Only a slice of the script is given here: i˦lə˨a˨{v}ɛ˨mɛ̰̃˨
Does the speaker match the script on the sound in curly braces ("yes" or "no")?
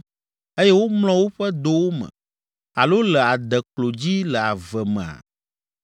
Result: yes